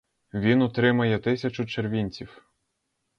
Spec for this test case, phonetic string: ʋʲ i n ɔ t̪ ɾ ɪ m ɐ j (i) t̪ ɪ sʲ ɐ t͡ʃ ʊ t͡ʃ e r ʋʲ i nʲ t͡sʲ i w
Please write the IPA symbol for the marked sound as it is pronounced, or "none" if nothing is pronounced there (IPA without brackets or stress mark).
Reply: ɛ